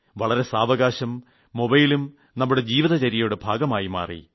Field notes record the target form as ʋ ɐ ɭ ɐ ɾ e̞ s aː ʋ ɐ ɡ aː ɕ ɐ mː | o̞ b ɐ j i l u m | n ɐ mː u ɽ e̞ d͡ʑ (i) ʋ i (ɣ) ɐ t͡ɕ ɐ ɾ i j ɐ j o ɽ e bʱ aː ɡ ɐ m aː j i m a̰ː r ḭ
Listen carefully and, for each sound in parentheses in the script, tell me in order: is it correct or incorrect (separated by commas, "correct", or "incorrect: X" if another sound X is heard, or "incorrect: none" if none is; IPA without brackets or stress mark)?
incorrect: iː, incorrect: ð